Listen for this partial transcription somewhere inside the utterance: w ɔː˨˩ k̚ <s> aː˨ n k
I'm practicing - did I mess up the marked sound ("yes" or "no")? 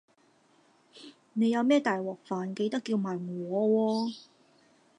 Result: yes